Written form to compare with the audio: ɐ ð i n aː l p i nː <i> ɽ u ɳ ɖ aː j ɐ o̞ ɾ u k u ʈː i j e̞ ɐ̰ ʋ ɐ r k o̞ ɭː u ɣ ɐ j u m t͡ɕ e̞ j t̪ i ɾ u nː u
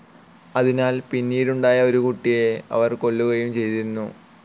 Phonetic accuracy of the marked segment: incorrect: iː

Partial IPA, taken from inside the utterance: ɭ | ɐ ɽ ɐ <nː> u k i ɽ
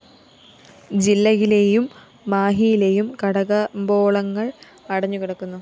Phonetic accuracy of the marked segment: incorrect: ɲː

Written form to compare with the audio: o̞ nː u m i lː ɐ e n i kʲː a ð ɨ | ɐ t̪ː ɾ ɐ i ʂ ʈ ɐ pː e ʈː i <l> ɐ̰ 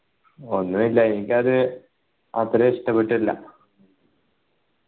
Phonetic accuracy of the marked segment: incorrect: lː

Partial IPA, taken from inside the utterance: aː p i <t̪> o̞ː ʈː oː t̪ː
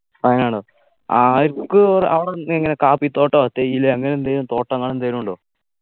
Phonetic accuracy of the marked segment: correct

